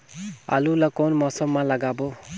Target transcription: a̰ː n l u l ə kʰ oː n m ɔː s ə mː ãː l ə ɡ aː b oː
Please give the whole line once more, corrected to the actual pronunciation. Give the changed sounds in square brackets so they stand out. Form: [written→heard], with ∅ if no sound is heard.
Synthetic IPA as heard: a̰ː [n→∅] l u l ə [kʰ→k] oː n m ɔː s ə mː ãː l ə ɡ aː b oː